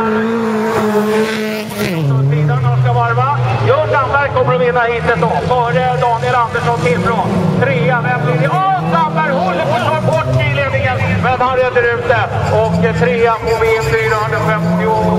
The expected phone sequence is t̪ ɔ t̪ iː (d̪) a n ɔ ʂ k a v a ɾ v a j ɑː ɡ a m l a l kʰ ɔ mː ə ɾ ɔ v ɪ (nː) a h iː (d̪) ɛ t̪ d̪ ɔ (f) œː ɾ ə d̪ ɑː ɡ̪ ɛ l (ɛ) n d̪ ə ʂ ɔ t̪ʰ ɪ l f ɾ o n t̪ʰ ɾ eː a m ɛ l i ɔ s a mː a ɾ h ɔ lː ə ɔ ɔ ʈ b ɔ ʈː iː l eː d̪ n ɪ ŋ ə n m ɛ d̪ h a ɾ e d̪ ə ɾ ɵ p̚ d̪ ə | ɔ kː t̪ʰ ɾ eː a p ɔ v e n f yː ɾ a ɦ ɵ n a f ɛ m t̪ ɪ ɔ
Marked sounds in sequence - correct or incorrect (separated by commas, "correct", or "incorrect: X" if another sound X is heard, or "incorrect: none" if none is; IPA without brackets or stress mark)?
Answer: correct, correct, incorrect: t̪, correct, incorrect: a